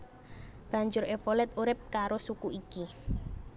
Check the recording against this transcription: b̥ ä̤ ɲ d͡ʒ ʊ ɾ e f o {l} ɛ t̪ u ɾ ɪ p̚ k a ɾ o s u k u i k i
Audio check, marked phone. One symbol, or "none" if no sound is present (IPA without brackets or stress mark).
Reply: l